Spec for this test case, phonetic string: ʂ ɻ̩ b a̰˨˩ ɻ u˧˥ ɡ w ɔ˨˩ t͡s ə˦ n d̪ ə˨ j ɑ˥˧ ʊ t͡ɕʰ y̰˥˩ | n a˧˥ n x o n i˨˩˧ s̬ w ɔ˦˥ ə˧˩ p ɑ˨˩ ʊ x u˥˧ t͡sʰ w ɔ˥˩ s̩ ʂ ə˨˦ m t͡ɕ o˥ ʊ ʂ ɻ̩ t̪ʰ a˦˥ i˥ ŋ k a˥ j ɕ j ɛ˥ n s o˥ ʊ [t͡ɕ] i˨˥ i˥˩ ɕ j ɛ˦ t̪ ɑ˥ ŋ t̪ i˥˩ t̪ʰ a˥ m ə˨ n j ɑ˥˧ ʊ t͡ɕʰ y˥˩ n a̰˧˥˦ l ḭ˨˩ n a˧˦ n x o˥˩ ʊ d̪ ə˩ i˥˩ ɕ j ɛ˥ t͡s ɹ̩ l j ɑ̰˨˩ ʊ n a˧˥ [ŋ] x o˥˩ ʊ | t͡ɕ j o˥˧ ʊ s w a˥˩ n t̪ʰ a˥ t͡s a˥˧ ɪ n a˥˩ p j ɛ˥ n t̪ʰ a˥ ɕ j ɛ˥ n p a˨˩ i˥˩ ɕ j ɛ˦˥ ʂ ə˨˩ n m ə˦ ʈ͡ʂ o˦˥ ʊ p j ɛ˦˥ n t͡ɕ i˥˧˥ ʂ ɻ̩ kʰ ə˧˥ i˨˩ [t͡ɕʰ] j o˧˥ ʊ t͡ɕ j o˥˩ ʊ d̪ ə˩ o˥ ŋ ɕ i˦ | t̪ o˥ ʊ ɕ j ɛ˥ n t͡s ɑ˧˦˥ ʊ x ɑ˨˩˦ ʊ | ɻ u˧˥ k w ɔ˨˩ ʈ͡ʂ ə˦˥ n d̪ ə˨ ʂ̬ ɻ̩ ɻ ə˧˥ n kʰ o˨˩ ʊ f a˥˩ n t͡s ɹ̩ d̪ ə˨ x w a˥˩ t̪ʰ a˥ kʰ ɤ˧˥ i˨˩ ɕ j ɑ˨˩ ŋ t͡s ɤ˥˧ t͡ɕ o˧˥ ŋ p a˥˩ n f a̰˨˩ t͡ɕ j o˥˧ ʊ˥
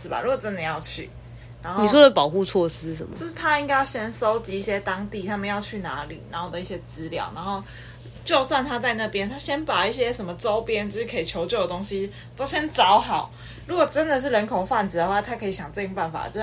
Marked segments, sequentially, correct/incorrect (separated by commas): correct, incorrect, correct